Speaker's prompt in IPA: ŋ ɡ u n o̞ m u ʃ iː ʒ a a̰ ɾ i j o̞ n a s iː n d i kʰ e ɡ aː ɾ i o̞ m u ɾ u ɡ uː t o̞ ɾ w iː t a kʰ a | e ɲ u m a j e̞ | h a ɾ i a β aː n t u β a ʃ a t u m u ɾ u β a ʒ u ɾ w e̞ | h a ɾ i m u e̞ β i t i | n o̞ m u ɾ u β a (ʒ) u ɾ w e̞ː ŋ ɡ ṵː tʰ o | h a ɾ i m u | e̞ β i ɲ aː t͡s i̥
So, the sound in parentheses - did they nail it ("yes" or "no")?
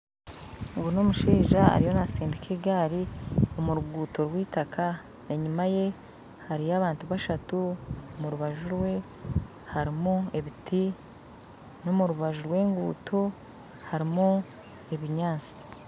yes